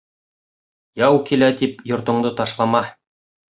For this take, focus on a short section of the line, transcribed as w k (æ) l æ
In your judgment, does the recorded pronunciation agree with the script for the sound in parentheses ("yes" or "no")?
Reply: no